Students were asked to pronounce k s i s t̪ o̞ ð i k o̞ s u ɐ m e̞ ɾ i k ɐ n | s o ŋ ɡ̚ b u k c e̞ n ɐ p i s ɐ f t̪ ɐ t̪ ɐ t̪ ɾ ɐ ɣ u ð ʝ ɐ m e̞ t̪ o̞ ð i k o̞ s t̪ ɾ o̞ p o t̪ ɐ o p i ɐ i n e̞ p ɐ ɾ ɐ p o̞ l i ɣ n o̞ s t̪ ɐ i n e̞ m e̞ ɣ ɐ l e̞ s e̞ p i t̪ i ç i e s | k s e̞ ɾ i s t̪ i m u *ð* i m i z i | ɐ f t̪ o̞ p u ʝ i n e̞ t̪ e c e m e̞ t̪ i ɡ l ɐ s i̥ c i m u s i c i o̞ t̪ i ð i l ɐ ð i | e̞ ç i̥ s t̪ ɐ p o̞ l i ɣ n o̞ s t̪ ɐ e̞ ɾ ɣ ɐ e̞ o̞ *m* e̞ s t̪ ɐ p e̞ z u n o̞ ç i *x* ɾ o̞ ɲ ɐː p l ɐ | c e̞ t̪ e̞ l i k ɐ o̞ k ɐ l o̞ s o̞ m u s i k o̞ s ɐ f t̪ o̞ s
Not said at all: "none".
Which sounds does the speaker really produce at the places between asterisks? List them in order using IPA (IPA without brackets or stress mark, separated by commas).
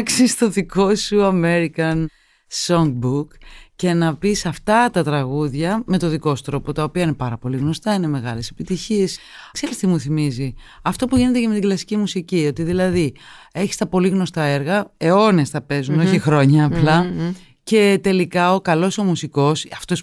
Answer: θ, n, x